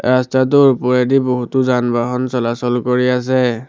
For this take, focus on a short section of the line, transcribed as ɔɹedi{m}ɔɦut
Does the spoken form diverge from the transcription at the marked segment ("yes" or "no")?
yes